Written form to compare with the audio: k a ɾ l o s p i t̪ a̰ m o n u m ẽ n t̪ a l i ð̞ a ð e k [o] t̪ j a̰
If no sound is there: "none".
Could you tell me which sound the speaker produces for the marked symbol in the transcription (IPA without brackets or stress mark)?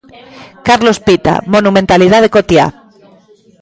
o